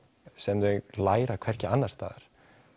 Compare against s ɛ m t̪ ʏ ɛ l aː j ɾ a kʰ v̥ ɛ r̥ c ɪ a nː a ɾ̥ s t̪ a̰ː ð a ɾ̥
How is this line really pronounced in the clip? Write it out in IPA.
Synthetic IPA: s ɛ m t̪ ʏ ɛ l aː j ɾ a kʰ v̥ ɛ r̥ c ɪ a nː a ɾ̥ s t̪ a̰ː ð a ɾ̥